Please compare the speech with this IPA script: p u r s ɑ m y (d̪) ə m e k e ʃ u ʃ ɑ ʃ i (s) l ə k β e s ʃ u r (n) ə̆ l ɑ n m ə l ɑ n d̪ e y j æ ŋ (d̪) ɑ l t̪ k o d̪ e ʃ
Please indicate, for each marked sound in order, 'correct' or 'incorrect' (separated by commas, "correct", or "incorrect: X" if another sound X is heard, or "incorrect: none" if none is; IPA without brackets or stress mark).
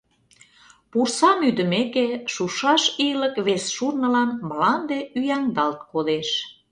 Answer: correct, incorrect: none, correct, correct